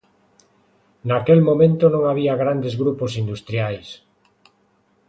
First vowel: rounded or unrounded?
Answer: unrounded